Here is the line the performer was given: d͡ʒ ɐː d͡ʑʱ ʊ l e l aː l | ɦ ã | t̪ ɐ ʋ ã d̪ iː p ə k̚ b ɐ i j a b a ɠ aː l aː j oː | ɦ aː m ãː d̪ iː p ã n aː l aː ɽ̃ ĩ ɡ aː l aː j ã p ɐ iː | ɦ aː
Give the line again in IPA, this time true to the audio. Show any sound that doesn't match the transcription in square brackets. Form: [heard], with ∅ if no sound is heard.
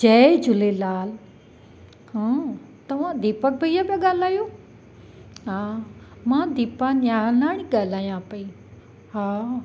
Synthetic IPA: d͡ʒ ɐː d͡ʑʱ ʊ l e l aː l | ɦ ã | t̪ ɐ ʋ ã d̪ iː p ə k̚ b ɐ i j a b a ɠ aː l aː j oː | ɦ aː m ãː d̪ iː p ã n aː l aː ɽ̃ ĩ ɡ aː l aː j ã p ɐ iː | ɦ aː

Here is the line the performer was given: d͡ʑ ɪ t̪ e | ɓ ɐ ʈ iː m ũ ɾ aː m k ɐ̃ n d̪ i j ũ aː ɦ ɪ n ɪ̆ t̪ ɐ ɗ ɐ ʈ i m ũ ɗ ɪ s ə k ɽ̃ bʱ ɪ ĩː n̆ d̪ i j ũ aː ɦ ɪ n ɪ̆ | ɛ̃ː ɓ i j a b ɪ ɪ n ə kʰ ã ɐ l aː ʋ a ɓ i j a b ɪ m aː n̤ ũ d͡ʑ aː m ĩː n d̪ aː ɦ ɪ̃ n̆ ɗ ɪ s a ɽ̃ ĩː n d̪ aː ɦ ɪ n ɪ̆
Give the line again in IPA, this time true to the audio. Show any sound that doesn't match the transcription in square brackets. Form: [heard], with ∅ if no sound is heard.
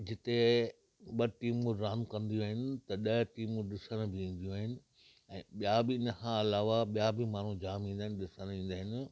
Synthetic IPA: d͡ʑ ɪ t̪ e | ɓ ɐ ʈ iː m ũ ɾ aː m k ɐ̃ n d̪ i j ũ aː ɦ ɪ n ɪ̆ t̪ ɐ ɗ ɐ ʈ [iː] m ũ ɗ ɪ s ə [∅] ɽ̃ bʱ ɪ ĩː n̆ d̪ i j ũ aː ɦ ɪ n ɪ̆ | ɛ̃ː ɓ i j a b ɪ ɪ n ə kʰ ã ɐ l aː ʋ a ɓ i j a b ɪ m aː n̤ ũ d͡ʑ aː m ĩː n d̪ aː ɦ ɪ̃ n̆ ɗ ɪ s [ə] ɽ̃ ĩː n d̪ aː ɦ ɪ n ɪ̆

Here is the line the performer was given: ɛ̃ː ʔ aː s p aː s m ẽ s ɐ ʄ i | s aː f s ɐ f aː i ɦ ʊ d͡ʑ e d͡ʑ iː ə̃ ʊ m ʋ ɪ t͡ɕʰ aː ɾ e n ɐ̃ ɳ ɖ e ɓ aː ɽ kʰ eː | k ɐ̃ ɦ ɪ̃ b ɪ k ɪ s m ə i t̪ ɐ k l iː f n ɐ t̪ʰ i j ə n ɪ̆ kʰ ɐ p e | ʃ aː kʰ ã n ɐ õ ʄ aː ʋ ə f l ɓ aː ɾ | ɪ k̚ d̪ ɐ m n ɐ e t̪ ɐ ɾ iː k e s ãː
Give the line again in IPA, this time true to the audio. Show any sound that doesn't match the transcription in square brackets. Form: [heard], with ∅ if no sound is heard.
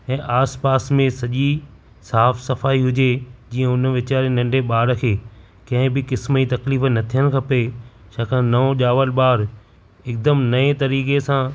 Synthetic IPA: ɛ̃ː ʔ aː s p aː s m ẽ s ɐ ʄ i | s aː f s ɐ f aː i ɦ ʊ d͡ʑ e d͡ʑ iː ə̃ ʊ [n] ʋ ɪ [t͡ɕ] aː ɾ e n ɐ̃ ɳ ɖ e ɓ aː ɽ kʰ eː | k ɐ̃ ɦ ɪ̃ b ɪ k ɪ s m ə i t̪ ɐ k l iː f n ɐ t̪ʰ i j ə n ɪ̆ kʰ ɐ p e | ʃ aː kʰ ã n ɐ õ ʄ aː ʋ ə [∅] l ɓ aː ɾ | ɪ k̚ d̪ [ə] m n ɐ e t̪ ɐ ɾ iː k e s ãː

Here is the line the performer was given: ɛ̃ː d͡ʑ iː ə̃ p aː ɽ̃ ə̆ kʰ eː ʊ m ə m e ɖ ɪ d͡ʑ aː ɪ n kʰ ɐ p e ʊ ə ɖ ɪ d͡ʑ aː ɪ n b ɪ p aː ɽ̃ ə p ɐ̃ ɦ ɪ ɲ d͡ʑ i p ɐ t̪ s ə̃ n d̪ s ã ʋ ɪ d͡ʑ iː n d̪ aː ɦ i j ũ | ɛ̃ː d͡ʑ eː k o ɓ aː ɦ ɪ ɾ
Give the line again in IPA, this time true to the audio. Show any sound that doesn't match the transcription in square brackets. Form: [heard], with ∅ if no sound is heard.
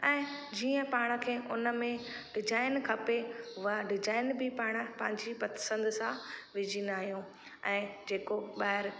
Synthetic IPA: ɛ̃ː d͡ʑ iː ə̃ p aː ɽ̃ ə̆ kʰ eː ʊ [n] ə m [ẽ] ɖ ɪ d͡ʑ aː ɪ n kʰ ɐ p e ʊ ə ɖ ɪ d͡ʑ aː ɪ n b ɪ p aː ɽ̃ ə p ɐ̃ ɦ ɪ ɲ d͡ʑ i p ɐ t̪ s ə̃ n d̪ s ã ʋ ɪ d͡ʑ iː n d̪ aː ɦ i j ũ | ɛ̃ː d͡ʑ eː k o ɓ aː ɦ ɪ ɾ

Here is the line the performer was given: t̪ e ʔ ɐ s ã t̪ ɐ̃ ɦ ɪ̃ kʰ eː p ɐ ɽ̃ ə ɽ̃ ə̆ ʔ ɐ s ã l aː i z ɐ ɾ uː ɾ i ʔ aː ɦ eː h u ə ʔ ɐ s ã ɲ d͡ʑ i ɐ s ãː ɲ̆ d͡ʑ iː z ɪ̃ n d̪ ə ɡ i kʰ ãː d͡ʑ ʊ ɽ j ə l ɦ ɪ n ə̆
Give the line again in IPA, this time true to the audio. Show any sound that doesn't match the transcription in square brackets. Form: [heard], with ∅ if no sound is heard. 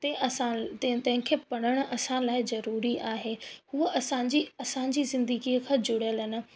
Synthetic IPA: t̪ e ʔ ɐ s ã t̪ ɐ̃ ɦ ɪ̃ kʰ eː p ɐ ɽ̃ ə ɽ̃ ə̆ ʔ ɐ s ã l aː [ɪ] z ɐ ɾ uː ɾ i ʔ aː ɦ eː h u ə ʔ ɐ s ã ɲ d͡ʑ i ɐ s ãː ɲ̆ d͡ʑ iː z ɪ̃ n d̪ ə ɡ i kʰ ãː d͡ʑ ʊ ɽ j ə l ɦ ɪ n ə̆

